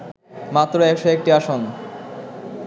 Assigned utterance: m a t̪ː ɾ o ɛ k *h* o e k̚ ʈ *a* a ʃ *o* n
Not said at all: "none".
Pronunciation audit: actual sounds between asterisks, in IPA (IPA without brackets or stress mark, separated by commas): ʃ, i, o